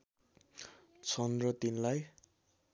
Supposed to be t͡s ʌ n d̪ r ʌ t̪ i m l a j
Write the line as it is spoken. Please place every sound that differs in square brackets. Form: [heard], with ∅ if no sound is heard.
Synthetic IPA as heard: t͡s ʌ n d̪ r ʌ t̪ i [n] l a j